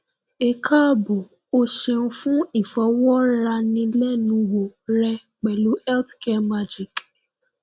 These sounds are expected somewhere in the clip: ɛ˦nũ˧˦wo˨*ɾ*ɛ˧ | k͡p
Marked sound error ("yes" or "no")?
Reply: no